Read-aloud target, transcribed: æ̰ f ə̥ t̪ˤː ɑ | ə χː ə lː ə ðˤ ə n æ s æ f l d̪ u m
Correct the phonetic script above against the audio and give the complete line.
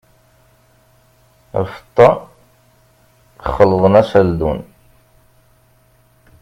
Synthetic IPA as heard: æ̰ f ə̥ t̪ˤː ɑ | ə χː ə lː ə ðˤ ə n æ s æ l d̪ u n